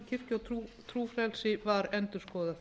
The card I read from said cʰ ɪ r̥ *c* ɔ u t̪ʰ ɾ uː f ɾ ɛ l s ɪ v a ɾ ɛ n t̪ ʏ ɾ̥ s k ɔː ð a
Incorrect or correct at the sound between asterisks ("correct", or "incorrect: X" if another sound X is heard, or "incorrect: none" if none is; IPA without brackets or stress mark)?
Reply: correct